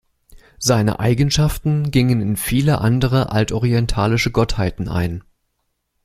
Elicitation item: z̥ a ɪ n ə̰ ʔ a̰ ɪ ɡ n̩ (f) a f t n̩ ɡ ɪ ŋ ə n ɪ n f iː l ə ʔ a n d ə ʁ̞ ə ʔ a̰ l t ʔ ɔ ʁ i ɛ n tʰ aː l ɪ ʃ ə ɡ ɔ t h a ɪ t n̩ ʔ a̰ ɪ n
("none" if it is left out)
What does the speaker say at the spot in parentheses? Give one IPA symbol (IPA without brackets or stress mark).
ʃ